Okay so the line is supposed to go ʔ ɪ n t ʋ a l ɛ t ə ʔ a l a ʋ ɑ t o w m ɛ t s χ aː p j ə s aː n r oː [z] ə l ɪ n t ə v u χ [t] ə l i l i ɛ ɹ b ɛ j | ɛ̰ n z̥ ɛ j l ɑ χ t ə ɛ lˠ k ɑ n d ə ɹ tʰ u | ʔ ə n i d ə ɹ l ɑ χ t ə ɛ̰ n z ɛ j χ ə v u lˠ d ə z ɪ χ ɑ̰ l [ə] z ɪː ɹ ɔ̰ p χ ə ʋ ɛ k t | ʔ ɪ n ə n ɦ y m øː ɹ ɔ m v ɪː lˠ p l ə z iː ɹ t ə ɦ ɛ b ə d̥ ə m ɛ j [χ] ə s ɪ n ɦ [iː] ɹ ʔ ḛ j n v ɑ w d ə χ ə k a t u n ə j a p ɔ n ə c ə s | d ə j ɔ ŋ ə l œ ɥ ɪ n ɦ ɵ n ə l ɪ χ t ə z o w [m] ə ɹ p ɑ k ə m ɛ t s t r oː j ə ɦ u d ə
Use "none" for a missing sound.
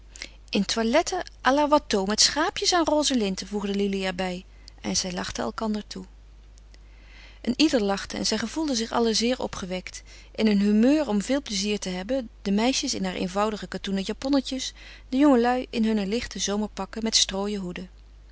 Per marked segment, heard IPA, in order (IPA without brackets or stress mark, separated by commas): z, d, ə, ʃ, aː, m